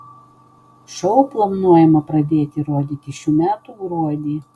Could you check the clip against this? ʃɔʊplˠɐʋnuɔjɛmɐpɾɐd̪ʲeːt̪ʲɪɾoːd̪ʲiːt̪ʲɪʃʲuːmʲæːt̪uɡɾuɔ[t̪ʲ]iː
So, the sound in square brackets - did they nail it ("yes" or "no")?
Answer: no